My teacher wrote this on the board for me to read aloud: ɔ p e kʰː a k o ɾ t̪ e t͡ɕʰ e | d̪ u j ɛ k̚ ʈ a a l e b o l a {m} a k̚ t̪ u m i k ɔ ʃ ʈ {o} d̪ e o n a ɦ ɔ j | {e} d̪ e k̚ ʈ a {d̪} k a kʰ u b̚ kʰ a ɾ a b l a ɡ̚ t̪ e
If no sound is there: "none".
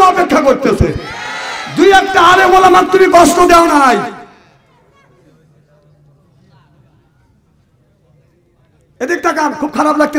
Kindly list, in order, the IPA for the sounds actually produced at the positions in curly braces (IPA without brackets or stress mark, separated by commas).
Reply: m, o, e, none